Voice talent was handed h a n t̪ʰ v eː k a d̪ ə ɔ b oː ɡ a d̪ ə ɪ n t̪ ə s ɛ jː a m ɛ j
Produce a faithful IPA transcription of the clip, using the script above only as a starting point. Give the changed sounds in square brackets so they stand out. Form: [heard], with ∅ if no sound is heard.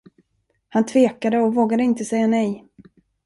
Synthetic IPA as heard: h a n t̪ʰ v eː k a d̪ ə ɔ [v] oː ɡ a d̪ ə ɪ n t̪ ə s ɛ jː a [n] ɛ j

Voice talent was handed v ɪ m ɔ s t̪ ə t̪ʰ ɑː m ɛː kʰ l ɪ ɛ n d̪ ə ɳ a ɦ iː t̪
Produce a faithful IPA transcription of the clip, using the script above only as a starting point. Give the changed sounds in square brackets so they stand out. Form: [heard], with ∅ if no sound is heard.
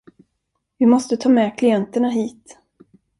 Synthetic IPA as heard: v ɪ m ɔ s t̪ ə t̪ʰ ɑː m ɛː kʰ l ɪ ɛ n [t̪] ə ɳ a ɦ iː t̪

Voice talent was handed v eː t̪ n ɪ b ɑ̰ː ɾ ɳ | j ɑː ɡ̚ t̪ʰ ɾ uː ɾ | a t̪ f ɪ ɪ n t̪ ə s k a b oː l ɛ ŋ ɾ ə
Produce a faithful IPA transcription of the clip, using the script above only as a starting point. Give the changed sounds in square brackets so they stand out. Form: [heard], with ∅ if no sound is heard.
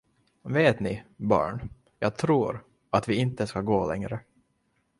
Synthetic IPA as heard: v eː t̪ n ɪ b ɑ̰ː [∅] ɳ | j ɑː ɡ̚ t̪ʰ ɾ uː ɾ | a t̪ [v] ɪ ɪ n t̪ ə s k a [ɡ] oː l ɛ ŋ ɾ ə

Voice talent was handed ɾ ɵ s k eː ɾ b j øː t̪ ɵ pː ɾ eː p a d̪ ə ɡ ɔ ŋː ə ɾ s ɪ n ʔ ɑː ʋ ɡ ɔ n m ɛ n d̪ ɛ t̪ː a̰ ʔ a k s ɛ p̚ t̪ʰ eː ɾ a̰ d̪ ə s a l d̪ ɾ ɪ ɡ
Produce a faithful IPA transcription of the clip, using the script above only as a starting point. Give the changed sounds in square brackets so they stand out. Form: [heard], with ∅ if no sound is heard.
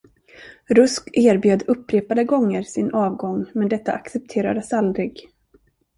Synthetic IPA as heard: ɾ ɵ s k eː ɾ b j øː [d̪] ɵ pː ɾ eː p a d̪ ə ɡ ɔ ŋː ə ɾ s ɪ n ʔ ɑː [v] ɡ ɔ [ŋ] m ɛ n d̪ ɛ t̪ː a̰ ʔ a k s ɛ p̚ t̪ʰ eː ɾ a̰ d̪ ə s a l d̪ ɾ ɪ ɡ

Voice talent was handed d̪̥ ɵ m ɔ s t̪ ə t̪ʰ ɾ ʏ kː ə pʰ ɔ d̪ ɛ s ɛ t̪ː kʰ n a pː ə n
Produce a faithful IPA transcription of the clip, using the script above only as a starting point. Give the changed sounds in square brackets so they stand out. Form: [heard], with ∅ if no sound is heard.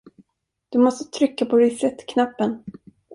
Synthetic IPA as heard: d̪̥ ɵ m ɔ s t̪ ə t̪ʰ ɾ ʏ kː [a] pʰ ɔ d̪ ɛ s ɛ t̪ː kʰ n a pː ə n

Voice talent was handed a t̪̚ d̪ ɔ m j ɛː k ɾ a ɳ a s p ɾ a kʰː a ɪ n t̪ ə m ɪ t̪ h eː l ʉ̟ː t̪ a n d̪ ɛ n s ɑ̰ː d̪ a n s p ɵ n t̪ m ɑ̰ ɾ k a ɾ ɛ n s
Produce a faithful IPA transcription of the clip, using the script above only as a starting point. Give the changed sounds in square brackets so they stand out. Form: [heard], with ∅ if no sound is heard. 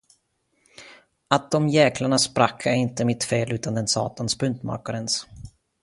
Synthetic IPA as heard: a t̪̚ d̪ ɔ m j ɛː k [l] a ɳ a s p ɾ a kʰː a ɪ n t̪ ə m ɪ t̪ [f] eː l ʉ̟ː t̪ a n d̪ ɛ n s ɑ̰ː [t̪] a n s p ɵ n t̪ m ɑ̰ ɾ k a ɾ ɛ n s

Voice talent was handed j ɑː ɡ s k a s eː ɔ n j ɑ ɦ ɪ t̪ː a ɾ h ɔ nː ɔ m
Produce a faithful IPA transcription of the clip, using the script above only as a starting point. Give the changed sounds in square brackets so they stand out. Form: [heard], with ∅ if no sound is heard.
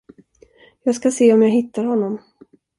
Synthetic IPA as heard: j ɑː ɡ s k a s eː ɔ [m] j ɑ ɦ ɪ t̪ː a ɾ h ɔ nː ɔ m

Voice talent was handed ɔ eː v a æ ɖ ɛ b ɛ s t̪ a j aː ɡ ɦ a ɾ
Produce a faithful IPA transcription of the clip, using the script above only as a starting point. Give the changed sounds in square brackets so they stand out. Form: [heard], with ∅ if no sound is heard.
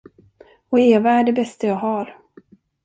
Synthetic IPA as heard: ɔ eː v a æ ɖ ɛ b ɛ s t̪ a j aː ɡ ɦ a ɾ

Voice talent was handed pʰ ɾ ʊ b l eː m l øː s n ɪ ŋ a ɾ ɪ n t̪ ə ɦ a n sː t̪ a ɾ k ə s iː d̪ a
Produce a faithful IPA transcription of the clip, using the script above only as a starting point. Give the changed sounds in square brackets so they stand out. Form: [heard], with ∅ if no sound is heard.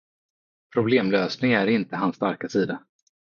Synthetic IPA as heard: pʰ ɾ ʊ b l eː m l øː s n ɪ ŋ [æ] ɾ ɪ n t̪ ə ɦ a n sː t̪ a ɾ k [a] s iː d̪ a

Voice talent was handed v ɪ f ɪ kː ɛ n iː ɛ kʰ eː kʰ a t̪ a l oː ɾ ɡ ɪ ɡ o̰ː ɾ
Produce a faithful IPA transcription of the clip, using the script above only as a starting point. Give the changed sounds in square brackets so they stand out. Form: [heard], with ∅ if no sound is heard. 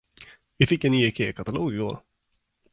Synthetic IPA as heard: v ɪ f ɪ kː ɛ n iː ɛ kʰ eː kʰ a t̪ a l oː [∅] ɡ ɪ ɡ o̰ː ɾ

